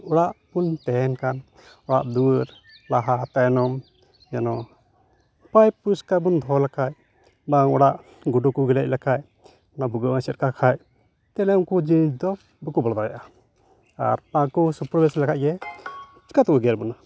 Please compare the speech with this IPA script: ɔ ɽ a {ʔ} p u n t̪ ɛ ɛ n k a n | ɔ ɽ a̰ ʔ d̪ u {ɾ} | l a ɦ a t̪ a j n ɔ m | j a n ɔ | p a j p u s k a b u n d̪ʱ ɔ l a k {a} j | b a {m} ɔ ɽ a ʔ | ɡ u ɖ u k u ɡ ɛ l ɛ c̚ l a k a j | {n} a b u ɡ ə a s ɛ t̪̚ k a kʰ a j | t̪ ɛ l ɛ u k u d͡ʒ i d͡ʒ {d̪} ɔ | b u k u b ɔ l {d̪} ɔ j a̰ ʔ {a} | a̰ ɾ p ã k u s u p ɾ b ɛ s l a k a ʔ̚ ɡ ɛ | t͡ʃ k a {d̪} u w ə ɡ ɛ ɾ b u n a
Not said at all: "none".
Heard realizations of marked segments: ʔ, ɾ, a, ŋ, n, d̪, d̪, a, t̪

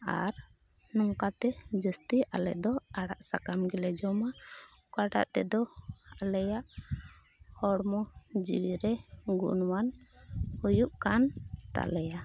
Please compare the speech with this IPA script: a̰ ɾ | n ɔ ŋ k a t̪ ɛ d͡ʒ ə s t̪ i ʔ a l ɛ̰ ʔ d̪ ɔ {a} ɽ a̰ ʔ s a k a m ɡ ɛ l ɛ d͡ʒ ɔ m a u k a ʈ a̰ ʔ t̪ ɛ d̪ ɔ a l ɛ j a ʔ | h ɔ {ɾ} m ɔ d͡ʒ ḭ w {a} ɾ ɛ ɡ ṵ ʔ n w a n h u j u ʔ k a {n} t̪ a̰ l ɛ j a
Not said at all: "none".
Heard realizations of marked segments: a, ɽ, i, n

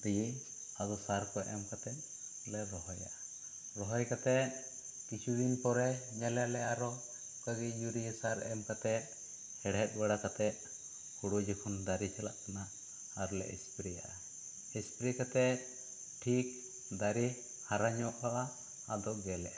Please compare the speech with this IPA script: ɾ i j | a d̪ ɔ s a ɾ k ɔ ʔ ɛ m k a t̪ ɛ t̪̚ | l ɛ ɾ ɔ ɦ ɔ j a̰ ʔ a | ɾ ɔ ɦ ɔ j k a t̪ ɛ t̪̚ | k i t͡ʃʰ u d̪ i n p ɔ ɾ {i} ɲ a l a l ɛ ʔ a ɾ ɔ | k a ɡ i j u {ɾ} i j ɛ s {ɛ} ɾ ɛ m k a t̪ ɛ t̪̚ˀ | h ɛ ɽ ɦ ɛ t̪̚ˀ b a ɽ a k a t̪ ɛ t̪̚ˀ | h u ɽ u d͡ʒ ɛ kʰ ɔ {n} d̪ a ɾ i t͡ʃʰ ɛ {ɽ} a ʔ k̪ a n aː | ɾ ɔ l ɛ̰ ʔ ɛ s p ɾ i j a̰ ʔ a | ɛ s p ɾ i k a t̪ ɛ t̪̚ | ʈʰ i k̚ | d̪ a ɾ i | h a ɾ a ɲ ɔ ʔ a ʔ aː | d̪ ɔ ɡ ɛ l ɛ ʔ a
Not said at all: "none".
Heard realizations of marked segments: ɛ, ɾ, a, n, l

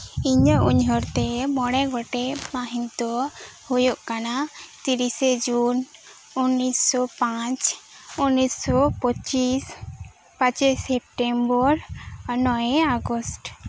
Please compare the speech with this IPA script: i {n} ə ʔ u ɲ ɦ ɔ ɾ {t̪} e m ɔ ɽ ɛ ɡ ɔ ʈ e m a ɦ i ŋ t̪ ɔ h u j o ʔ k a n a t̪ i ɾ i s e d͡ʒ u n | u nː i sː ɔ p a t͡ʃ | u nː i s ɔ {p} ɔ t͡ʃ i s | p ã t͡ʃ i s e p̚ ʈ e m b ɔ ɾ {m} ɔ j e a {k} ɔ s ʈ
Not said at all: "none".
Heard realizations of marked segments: ɲ, t̪, p, n, ɡ

